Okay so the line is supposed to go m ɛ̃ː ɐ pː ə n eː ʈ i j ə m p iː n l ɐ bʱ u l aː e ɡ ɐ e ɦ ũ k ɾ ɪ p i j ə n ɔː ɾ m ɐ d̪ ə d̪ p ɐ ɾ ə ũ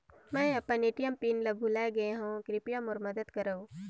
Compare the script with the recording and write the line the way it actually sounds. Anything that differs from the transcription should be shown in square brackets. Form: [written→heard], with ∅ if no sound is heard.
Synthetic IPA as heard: m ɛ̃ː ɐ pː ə n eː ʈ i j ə m p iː n l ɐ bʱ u l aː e ɡ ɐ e ɦ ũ k ɾ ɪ p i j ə [n→m] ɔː ɾ m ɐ d̪ ə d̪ [p→k] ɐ ɾ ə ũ